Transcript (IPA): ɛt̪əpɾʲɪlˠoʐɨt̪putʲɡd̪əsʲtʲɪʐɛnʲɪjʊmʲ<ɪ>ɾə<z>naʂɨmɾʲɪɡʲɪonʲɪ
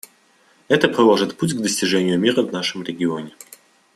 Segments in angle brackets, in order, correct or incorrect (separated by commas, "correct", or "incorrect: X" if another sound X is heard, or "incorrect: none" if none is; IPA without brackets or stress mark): incorrect: i, incorrect: v